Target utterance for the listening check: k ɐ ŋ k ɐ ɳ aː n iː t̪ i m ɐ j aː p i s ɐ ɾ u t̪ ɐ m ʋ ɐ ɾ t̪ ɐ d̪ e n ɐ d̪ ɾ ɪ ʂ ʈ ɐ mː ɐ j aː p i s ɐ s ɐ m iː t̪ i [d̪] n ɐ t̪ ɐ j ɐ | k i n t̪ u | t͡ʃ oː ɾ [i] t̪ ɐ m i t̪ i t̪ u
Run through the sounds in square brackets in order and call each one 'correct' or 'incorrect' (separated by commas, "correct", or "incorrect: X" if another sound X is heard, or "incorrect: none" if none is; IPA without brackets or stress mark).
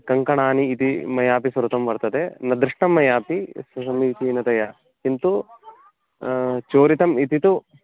incorrect: none, correct